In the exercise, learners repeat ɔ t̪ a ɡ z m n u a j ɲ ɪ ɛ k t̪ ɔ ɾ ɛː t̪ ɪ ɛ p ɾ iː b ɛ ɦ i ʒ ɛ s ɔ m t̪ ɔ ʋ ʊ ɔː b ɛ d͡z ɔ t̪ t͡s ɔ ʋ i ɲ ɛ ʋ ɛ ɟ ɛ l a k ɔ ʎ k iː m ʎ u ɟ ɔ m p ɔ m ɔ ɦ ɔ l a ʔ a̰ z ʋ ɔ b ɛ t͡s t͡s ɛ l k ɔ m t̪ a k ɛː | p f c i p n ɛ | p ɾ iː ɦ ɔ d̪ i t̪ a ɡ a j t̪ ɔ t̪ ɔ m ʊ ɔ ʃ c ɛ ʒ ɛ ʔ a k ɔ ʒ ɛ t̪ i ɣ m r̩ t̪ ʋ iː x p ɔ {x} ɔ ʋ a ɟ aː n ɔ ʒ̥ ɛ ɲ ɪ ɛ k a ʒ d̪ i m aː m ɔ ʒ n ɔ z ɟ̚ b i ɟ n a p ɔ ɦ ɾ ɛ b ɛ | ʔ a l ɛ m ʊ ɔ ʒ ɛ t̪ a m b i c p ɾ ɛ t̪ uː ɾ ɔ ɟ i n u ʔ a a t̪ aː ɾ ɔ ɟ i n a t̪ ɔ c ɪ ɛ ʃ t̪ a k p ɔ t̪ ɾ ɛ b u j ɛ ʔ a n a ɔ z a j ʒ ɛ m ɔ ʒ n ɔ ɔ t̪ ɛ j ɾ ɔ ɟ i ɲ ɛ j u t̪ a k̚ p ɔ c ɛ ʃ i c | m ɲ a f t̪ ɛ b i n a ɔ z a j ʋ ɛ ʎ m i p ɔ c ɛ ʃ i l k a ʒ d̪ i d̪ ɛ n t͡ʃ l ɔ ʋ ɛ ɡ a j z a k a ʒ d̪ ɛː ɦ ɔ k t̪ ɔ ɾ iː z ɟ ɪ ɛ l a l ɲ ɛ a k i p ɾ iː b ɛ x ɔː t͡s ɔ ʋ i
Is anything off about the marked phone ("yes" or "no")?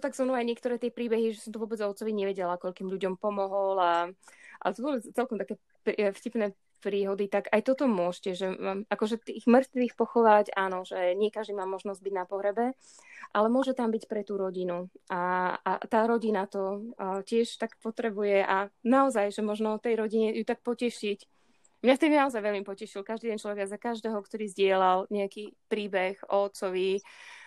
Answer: no